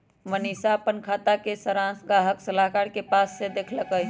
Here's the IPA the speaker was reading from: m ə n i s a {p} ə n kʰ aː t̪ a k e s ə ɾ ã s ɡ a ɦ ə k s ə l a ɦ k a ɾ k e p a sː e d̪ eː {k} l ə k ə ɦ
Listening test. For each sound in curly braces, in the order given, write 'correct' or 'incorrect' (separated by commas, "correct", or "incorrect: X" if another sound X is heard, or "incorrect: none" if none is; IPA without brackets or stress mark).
correct, incorrect: kʰ